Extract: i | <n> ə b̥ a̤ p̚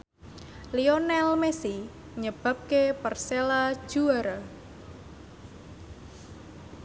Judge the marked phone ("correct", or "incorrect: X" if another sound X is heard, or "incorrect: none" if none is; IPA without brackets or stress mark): incorrect: ɲ